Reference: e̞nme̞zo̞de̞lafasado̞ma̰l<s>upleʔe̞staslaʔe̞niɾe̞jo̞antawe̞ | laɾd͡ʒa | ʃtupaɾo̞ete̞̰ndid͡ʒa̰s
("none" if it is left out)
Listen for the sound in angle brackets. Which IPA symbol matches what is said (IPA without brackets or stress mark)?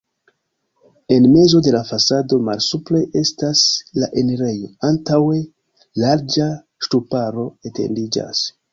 s